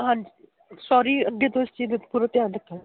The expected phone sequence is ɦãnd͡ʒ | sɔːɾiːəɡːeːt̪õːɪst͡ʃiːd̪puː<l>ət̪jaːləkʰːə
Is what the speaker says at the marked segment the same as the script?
no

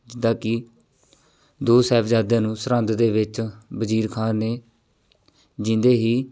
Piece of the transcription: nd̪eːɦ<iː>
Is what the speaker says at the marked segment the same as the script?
yes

